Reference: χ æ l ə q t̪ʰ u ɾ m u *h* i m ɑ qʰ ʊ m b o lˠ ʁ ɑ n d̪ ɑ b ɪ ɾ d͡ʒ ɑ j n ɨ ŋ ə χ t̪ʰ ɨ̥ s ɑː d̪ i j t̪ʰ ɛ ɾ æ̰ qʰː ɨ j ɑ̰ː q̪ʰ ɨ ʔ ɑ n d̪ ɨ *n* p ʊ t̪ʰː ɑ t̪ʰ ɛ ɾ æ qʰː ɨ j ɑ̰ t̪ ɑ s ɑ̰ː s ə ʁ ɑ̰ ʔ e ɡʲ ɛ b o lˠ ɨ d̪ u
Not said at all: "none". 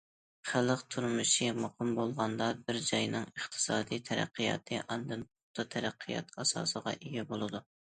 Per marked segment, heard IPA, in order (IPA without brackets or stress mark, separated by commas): ʃ, n